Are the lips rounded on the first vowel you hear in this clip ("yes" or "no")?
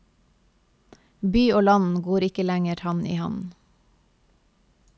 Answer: yes